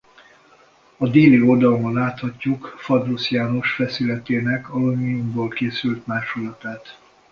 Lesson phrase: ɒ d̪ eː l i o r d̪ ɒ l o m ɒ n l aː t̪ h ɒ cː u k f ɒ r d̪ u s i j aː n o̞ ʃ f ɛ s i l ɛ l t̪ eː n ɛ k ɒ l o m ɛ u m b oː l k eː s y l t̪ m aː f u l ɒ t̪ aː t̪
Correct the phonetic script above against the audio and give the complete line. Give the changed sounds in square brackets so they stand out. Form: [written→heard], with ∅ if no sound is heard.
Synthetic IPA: ɒ d̪ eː l i o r d̪ ɒ l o m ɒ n l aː t̪ h ɒ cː u k f ɒ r d̪ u s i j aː n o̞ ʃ f ɛ s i l ɛ [l→∅] t̪ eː n ɛ k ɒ l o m [ɛ→i] u m b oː l k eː s y l t̪ m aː [f→ʃ] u l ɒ t̪ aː t̪